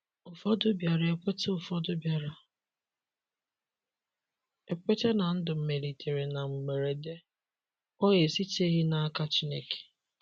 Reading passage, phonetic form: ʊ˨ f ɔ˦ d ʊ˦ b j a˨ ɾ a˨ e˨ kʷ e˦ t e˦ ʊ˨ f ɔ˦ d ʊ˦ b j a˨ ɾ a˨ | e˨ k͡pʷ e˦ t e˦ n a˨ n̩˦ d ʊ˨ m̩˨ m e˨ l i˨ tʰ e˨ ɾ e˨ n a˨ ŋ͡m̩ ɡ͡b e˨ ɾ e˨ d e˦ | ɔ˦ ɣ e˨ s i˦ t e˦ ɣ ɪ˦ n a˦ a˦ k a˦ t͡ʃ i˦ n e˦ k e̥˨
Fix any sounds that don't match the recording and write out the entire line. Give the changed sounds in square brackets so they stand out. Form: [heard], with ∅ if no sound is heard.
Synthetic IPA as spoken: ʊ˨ f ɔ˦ d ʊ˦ b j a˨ ɾ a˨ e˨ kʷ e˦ t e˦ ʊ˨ f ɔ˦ d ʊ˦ b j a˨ ɾ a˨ | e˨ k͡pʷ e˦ t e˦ n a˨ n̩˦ d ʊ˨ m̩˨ m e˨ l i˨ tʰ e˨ ɾ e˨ n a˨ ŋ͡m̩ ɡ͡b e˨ ɾ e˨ d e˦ | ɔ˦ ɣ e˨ s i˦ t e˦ ɣ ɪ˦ n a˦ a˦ k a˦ t͡ʃ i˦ n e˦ k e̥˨